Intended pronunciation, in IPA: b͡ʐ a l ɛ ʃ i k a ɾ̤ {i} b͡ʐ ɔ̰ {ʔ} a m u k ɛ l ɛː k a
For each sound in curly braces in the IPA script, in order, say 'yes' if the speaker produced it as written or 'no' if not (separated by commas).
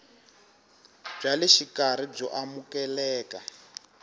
yes, yes